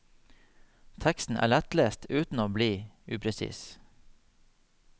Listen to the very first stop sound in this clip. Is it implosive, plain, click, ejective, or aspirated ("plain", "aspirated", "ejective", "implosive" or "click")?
aspirated